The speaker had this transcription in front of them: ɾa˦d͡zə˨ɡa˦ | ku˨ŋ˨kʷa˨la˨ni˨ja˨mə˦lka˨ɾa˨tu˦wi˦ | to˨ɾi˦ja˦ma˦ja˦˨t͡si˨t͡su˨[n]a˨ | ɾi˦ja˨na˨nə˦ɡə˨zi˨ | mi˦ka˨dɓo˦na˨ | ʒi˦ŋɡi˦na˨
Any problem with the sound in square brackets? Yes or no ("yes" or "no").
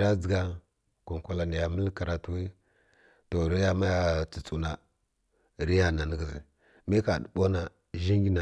no